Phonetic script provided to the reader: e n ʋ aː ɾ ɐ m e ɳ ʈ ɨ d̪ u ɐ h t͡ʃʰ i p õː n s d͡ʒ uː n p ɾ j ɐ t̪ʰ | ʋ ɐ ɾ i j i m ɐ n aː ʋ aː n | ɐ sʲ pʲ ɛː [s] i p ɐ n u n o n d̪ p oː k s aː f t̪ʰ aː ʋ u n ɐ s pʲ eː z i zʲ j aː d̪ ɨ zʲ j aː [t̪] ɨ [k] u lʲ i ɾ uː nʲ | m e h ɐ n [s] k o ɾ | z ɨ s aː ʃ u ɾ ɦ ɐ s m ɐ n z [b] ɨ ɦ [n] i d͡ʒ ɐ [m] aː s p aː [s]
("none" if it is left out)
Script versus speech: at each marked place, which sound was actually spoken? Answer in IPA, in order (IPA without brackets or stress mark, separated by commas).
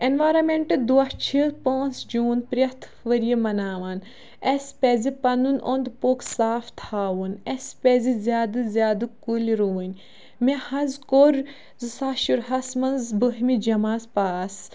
z, d̪, k, z, b, m, m, s